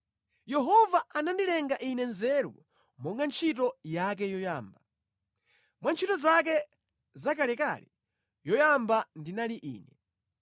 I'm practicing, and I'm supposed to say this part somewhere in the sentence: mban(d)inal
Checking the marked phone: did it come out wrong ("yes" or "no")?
no